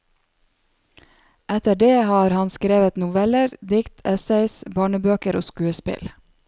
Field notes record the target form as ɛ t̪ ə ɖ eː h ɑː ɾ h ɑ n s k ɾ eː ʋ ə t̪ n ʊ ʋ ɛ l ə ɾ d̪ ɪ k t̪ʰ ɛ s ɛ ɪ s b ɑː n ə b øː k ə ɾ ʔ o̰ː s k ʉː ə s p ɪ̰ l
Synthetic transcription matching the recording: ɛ t̪ ə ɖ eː h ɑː ɾ h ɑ n s k ɾ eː ʋ ə t̪ n ʊ ʋ ɛ l ə ɾ d̪ ɪ k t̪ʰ ɛ s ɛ ɪ s b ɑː ɳ ə b øː k ə ɾ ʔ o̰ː s k ʉː ə s p ɪ̰ l